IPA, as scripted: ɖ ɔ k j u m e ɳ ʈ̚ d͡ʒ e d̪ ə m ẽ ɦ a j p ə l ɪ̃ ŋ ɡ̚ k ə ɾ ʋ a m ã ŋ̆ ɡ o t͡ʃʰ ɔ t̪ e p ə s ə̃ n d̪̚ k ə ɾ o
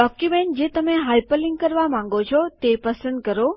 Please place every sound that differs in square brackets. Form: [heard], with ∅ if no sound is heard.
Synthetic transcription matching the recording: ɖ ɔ k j u m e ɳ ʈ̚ d͡ʒ e [t̪] ə m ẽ ɦ a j p ə l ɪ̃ ŋ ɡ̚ k ə ɾ ʋ a m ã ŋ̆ ɡ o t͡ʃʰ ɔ t̪ e p ə s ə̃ n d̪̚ k ə ɾ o